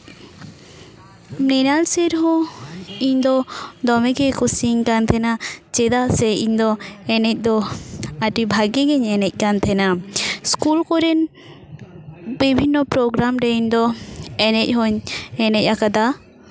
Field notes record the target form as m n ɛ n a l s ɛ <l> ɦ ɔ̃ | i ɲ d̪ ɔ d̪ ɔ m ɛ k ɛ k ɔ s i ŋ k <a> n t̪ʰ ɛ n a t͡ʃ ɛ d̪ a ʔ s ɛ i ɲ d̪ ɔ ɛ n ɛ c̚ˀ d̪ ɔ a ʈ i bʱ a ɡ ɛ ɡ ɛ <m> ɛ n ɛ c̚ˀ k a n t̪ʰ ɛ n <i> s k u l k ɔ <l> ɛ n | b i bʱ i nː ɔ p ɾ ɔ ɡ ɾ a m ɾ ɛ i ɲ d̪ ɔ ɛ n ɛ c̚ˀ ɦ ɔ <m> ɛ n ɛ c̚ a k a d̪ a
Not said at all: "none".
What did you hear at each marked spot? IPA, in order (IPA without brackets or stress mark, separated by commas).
ɾ, a, ɲ, a, ɾ, ɲ